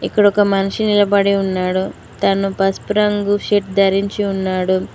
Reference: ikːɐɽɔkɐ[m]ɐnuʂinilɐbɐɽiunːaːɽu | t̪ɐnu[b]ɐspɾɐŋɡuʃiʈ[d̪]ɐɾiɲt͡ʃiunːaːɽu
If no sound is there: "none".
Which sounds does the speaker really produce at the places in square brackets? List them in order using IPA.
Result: m, p, d̪

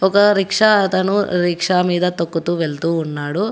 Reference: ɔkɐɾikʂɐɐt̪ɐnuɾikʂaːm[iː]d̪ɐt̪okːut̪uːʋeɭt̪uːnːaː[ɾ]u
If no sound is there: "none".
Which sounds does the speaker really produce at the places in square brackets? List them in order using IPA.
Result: iː, ɽ

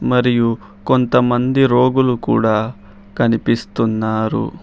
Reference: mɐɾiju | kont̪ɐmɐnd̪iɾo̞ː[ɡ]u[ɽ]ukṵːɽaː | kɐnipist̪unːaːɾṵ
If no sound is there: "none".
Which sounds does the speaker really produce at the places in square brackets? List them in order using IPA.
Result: ɡ, l

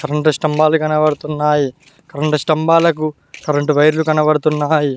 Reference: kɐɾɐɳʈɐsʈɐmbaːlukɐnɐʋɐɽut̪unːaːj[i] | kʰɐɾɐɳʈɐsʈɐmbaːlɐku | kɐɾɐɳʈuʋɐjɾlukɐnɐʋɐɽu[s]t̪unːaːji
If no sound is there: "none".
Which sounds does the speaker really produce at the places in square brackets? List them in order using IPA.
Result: i, none

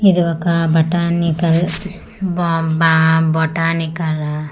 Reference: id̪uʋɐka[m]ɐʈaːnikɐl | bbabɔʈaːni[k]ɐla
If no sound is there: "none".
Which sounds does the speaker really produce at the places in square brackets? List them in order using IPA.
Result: b, k

